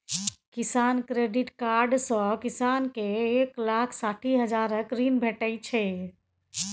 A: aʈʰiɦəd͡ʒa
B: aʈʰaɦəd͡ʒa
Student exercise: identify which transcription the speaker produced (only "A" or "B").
A